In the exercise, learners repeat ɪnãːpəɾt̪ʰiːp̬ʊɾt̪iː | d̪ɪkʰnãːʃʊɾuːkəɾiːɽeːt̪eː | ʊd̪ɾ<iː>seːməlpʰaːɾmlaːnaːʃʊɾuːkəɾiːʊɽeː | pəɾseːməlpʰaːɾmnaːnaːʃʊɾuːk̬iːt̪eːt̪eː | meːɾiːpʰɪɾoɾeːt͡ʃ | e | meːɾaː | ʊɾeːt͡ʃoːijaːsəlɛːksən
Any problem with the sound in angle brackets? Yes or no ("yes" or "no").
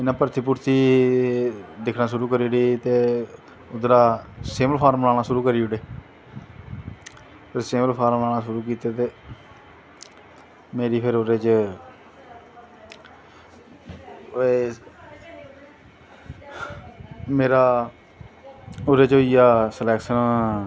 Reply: yes